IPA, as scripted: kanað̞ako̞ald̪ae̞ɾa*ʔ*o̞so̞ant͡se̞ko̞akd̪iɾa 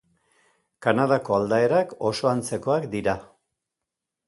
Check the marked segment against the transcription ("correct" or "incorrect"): incorrect